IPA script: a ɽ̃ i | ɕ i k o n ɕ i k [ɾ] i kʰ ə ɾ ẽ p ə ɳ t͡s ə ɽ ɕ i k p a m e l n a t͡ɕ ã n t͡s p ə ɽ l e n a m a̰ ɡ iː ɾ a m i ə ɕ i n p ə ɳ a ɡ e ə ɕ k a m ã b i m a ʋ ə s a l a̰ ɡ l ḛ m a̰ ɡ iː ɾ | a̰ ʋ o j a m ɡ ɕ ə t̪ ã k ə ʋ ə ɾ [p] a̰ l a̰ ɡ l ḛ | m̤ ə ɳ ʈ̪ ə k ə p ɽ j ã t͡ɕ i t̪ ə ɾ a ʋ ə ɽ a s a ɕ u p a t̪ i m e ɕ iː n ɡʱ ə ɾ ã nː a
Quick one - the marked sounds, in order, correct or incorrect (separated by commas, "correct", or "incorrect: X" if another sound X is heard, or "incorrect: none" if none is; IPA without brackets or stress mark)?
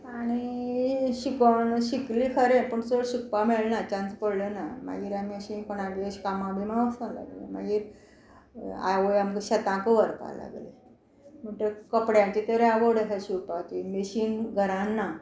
incorrect: l, correct